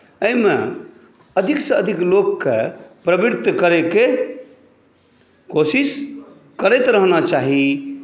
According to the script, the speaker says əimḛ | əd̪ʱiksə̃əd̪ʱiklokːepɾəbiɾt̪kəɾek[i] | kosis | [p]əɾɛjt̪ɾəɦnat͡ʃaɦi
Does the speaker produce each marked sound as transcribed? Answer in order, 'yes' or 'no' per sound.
no, no

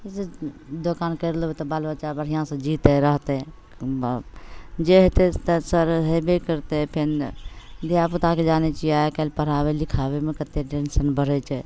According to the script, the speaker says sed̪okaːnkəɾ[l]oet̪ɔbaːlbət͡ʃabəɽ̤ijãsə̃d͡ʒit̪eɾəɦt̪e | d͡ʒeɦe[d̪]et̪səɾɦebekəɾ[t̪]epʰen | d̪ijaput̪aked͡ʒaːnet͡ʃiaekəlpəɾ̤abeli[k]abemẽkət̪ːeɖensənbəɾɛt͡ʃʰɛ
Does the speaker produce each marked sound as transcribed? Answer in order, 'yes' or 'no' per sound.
yes, no, yes, no

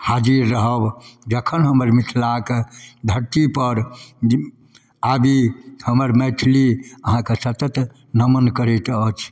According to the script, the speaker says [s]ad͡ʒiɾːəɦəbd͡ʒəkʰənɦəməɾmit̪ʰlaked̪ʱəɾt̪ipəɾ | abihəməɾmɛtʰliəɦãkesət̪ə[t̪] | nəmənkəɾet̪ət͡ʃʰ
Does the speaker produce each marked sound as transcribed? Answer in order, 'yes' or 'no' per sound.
no, yes

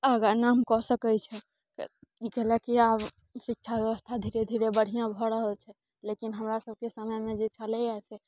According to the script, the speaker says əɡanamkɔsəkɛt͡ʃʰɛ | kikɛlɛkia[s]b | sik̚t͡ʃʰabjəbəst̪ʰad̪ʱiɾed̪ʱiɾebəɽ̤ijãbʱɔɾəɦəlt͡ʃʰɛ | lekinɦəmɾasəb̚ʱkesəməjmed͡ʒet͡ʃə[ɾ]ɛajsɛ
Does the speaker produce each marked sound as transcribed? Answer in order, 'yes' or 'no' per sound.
no, no

